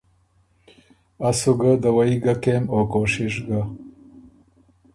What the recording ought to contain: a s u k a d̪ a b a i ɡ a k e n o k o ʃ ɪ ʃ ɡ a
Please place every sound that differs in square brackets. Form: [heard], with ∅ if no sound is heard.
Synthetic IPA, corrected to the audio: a s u [ɡ] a d̪ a [w] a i ɡ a k e [m] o k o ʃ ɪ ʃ ɡ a